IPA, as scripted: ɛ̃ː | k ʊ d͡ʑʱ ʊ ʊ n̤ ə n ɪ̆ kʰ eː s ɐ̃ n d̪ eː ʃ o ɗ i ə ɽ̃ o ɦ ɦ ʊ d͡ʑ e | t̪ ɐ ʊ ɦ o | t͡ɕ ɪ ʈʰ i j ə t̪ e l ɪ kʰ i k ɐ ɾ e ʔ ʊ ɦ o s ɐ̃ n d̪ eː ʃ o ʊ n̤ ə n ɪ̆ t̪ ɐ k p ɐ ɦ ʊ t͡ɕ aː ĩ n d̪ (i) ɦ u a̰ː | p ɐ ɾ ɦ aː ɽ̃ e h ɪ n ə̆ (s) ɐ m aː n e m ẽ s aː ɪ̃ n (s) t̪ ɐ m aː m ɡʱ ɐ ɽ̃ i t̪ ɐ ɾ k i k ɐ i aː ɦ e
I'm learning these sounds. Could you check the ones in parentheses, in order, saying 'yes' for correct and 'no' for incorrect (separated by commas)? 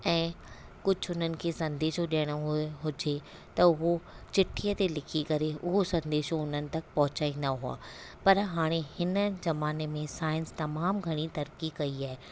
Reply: no, no, yes